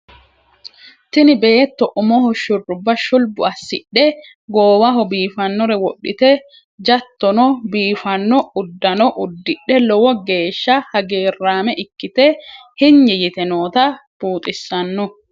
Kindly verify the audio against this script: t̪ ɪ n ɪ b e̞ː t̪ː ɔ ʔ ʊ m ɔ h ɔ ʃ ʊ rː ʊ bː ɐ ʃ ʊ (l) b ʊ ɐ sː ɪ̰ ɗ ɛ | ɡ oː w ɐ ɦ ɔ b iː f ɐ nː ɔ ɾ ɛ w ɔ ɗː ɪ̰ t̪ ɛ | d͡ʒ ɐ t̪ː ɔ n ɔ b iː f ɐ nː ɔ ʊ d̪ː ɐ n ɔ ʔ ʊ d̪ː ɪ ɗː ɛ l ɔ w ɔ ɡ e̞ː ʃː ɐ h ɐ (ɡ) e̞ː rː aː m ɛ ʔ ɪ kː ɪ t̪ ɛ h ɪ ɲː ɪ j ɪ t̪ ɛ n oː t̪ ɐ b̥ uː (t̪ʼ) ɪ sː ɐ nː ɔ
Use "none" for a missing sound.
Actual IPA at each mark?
l, ɡ, t̪ʼ

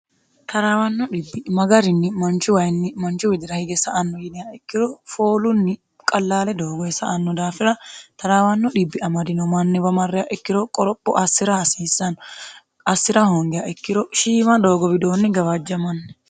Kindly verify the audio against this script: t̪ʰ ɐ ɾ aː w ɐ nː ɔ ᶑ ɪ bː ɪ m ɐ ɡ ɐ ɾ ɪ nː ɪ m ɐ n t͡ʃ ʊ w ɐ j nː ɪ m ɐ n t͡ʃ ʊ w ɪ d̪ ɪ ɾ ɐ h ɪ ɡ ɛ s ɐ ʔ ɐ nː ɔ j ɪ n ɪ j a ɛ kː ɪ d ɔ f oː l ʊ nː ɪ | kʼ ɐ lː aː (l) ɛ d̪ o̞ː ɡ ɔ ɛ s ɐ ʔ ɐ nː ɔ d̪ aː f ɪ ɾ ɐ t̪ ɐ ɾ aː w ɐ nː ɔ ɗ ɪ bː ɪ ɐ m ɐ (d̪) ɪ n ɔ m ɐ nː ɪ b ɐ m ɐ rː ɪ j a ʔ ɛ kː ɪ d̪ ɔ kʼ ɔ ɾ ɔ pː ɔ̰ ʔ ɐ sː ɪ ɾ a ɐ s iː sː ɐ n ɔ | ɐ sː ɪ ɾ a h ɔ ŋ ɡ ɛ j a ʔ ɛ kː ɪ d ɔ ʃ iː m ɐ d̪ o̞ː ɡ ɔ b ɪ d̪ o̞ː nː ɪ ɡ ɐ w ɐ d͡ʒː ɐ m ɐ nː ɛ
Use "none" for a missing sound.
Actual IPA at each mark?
l, d̪

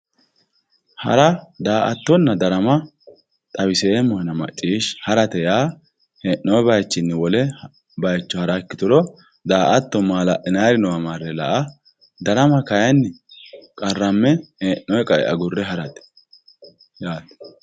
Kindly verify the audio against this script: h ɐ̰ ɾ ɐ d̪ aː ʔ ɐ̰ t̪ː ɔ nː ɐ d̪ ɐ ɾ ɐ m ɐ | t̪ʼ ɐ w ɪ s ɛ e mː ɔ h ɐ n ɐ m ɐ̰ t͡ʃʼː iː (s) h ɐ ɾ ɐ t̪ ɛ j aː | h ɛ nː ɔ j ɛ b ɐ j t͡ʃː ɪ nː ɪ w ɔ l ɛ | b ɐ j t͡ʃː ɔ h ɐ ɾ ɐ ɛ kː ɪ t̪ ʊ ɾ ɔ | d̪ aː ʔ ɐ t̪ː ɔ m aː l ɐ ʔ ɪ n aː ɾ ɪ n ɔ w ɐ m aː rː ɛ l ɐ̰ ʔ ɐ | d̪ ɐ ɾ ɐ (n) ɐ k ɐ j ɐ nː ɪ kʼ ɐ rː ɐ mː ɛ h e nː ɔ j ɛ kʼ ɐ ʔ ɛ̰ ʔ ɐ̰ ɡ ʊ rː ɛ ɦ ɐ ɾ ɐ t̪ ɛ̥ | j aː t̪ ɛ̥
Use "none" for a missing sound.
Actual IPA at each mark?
ʃ, m

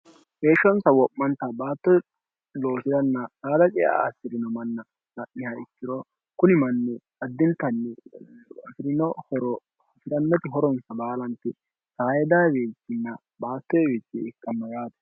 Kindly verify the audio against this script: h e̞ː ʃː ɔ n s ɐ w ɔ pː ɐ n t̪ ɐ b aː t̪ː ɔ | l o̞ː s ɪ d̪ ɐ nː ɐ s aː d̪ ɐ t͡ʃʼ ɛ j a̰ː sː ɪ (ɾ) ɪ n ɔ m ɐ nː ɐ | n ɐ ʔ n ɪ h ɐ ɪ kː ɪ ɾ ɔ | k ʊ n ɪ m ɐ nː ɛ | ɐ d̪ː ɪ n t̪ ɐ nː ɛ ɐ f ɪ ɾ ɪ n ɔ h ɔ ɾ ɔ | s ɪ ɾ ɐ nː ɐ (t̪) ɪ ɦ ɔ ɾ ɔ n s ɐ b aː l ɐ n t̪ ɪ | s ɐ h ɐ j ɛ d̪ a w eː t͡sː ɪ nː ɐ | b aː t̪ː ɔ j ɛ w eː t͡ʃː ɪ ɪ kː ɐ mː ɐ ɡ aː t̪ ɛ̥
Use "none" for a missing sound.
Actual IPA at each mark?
ɾ, t̪

